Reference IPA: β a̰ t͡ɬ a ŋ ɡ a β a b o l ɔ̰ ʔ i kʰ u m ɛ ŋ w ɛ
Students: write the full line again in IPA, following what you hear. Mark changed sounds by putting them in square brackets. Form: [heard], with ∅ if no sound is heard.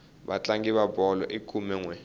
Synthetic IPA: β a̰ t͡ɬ a ŋ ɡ [i] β a b [ɔ] l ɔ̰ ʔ i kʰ u m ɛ ŋ w ɛ

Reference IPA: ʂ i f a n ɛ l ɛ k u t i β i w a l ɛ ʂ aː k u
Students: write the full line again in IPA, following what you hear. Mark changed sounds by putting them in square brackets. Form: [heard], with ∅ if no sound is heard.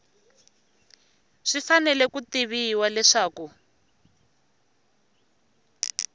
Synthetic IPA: ʂ i f a n ɛ l ɛ k u t i β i w a l ɛ ʂ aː k u

